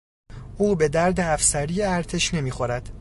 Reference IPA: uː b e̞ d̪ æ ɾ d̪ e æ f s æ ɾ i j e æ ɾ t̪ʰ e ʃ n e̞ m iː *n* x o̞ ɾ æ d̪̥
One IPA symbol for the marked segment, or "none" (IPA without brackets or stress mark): none